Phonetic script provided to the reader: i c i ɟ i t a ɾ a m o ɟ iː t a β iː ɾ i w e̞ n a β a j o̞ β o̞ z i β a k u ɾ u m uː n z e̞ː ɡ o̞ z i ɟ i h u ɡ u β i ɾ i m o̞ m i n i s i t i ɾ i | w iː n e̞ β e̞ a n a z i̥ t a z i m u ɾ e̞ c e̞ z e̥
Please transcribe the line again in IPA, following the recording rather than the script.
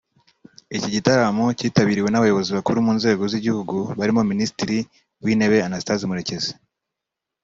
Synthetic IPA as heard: i c i ɟ i t a ɾ a m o c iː t a β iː ɾ i w e̞ n a β a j o̞ β o̞ z i β a k u ɾ u m uː n z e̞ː ɡ o̞ z i ɟ i h u ɡ u β a ɾ i m o̞ m i n i s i t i ɾ i | w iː n e̞ β e̞ a n a s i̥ t a z i m u ɾ e̞ c e̞ z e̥